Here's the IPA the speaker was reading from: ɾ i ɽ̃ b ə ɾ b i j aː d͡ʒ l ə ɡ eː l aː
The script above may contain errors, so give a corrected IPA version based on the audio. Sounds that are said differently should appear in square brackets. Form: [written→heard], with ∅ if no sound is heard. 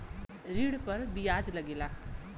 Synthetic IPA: ɾ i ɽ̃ [b→p] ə ɾ b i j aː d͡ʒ l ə ɡ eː l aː